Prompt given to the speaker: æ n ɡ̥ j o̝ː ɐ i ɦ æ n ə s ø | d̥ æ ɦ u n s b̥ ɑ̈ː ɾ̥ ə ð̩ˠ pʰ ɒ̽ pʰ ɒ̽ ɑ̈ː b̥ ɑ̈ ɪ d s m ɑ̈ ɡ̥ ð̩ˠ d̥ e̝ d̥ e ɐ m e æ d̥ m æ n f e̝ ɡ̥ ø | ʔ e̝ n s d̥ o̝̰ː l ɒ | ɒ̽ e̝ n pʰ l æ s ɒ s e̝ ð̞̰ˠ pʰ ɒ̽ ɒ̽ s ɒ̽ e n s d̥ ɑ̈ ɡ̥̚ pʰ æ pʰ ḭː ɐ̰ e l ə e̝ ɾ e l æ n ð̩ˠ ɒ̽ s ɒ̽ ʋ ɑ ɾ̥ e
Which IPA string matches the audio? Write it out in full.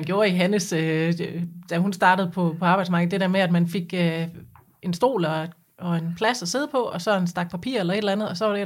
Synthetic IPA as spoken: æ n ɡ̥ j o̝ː ɐ i ɦ æ n ə s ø | d̥ æ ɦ u n s d̥ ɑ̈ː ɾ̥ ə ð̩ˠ pʰ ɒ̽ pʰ ɒ̽ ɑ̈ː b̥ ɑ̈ ɪ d s m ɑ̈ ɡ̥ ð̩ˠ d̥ e̝ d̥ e ɐ m e æ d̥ m æ n f e̝ ɡ̥ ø | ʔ e̝ n s d̥ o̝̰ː l ɒ | ɒ̽ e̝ n pʰ l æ s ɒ s e̝ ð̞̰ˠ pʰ ɒ̽ ɒ̽ s ɒ̽ e n s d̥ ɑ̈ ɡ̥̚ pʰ æ pʰ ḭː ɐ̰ e l ɐ e̝ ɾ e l æ n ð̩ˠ ɒ̽ s ɒ̽ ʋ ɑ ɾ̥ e